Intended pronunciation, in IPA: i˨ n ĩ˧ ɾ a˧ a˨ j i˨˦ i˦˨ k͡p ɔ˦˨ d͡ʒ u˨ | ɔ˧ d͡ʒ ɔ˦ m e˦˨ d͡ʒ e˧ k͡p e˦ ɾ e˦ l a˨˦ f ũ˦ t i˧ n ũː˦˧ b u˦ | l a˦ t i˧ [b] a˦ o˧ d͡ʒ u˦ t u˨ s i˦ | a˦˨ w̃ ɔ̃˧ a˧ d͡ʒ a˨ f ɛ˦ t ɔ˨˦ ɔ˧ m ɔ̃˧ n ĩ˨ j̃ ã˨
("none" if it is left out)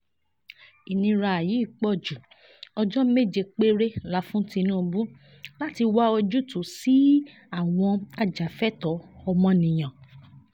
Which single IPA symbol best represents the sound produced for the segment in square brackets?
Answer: w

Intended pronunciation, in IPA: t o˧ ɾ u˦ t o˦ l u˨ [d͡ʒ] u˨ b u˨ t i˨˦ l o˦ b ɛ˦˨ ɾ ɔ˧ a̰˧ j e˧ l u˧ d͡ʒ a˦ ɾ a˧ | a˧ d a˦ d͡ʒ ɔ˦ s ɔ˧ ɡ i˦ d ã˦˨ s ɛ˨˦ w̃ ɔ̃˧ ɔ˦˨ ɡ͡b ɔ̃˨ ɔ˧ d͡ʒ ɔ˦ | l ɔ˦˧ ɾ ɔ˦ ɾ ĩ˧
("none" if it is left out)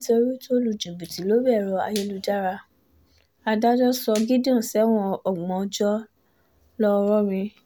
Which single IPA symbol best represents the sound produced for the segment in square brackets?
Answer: d͡ʒ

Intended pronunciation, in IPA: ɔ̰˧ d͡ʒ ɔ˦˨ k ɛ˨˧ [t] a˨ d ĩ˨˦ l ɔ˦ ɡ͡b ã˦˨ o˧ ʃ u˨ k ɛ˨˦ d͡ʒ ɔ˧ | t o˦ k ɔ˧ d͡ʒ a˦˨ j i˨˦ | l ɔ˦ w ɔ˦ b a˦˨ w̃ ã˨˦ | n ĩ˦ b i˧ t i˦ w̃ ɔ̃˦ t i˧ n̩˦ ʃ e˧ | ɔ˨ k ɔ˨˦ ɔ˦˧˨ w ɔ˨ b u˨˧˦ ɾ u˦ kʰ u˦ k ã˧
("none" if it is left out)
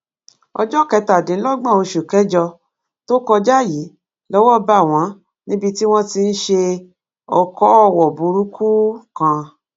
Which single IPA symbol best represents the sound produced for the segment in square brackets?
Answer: t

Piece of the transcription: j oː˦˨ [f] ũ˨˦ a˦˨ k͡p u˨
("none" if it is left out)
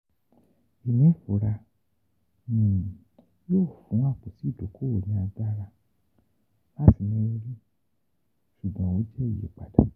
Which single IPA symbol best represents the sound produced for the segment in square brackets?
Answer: f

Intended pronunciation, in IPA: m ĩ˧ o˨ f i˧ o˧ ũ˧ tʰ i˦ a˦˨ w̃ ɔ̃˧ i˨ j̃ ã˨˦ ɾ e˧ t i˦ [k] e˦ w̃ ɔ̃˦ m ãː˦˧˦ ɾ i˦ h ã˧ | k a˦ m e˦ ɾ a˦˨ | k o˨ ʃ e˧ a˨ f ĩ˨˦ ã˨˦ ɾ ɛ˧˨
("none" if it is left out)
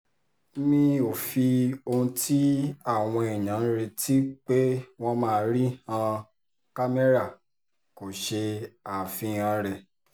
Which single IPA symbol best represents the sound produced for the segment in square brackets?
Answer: k͡p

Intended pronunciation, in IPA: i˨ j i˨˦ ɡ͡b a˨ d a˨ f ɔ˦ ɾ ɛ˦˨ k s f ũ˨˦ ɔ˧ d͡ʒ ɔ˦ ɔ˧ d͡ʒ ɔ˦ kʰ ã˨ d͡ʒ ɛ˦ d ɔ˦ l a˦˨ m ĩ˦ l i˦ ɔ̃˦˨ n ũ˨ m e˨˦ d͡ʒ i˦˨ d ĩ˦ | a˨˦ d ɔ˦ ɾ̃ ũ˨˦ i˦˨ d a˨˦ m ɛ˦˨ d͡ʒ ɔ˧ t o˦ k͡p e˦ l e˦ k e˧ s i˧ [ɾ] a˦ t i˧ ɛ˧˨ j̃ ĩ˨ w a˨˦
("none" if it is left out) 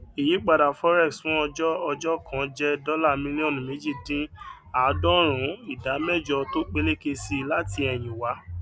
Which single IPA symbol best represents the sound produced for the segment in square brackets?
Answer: l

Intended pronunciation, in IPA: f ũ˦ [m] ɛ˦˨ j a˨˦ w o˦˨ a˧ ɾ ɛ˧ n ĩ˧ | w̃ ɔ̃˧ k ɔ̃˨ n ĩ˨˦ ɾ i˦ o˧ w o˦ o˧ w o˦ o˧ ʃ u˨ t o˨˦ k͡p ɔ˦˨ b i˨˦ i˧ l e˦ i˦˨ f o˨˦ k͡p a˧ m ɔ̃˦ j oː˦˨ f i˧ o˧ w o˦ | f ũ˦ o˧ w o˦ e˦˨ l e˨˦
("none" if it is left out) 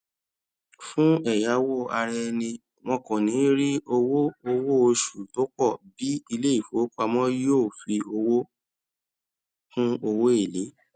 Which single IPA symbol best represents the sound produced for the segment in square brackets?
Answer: none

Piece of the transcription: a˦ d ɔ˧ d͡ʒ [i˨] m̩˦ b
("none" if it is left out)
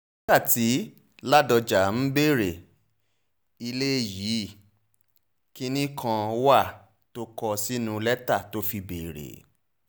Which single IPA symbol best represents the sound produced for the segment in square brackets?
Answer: a˨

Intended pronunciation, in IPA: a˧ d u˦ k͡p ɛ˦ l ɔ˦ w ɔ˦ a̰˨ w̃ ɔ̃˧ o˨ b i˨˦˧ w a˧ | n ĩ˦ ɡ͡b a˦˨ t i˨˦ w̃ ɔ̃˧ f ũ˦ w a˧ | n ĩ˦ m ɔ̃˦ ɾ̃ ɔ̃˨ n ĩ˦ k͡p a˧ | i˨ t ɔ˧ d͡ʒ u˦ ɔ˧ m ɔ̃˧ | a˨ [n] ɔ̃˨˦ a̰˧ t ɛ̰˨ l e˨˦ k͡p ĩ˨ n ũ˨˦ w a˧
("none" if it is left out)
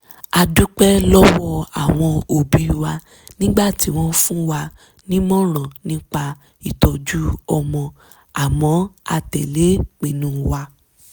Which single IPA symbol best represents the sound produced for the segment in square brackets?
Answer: m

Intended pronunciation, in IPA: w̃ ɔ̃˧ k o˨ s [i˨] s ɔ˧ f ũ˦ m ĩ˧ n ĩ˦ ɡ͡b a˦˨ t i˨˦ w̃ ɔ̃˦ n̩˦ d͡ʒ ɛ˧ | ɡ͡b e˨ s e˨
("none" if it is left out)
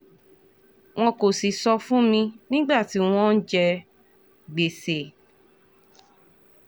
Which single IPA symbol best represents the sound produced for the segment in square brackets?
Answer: i˨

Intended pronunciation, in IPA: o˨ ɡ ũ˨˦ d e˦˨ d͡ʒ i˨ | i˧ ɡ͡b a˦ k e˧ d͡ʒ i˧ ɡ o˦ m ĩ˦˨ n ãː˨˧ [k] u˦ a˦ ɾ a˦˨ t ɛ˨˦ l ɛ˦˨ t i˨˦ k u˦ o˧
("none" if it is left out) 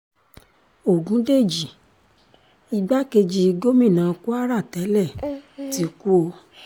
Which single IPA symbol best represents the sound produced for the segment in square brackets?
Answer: k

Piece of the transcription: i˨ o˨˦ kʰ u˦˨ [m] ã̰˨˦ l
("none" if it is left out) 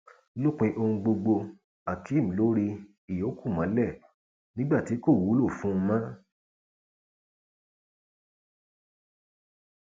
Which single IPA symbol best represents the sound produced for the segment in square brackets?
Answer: m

